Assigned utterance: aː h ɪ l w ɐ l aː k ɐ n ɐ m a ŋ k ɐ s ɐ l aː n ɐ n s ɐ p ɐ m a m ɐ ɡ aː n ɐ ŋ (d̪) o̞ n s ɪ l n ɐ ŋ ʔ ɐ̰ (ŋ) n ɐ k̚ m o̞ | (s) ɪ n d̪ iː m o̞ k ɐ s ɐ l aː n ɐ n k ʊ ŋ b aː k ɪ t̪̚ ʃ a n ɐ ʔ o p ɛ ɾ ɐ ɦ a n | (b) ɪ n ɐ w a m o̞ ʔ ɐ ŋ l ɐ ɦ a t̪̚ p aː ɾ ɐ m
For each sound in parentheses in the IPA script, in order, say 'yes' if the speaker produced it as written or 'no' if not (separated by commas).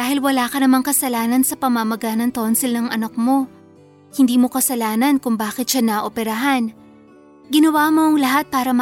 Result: no, no, no, no